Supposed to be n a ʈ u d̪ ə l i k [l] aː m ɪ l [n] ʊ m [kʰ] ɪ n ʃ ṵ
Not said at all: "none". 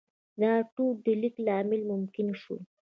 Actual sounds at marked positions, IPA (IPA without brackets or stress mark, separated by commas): l, m, k